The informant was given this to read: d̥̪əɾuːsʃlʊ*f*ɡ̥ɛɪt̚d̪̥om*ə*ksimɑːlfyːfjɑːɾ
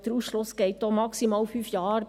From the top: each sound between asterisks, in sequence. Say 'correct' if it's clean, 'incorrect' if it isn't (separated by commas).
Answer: incorrect, incorrect